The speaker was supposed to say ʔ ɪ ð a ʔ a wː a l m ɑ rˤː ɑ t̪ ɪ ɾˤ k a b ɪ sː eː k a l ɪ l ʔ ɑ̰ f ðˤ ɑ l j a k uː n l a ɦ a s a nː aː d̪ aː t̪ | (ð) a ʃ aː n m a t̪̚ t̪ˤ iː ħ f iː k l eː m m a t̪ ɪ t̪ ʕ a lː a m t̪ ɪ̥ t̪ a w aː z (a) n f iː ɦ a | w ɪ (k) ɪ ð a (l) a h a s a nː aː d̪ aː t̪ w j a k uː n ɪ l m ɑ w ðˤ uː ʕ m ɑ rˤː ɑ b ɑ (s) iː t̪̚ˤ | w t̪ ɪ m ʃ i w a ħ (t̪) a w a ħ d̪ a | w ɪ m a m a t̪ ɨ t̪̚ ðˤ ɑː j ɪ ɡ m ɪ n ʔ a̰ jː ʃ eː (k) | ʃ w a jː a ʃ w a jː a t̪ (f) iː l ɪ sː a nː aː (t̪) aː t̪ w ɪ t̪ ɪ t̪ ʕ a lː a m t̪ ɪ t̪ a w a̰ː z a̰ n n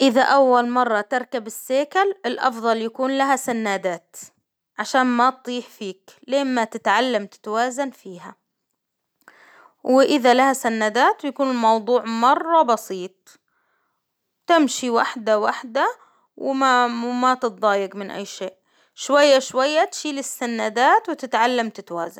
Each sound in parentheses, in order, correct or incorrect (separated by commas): incorrect, correct, incorrect, correct, correct, incorrect, incorrect, incorrect, incorrect